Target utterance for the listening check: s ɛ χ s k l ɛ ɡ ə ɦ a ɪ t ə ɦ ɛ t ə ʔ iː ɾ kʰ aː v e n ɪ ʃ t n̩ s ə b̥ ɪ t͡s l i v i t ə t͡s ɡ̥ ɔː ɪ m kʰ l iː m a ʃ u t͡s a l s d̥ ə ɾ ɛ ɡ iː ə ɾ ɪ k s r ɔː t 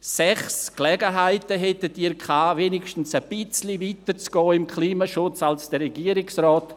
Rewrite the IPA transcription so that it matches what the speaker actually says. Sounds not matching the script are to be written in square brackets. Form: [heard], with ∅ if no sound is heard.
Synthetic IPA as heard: s ɛ χ s k l ɛ ɡ ə ɦ a ɪ t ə ɦ ɛ t ə [t] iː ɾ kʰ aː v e n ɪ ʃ t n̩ s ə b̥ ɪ t͡s l i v i t ə t͡s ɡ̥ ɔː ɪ m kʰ l iː m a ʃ [ʊ] t͡s a l s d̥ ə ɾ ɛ ɡ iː ə ɾ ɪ k s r ɔː t

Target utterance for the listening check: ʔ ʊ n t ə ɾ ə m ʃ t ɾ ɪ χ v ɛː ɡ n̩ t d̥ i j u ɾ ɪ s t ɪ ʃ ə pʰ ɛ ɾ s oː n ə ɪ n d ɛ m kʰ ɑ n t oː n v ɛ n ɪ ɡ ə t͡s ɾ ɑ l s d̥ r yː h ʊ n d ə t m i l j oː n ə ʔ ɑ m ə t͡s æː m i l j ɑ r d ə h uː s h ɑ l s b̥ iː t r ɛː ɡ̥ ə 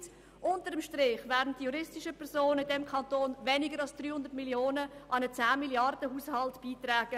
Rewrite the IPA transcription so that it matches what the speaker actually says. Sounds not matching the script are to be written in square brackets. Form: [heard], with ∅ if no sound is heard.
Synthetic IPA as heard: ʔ ʊ n t ə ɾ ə m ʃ t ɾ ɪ χ v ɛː [d] n̩ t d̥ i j u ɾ ɪ s t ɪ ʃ ə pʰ ɛ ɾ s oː n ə ɪ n d ɛ m kʰ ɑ n t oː n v ɛ n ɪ ɡ ə [∅] ɾ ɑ l s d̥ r yː h ʊ n d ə t m i l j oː n ə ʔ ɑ [n] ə t͡s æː m i l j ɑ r d ə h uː s h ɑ l [t] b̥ iː t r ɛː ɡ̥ ə

